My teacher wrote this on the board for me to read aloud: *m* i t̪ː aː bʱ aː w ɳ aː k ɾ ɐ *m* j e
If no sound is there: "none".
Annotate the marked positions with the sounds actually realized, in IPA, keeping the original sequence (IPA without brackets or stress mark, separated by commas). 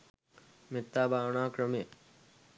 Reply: m, m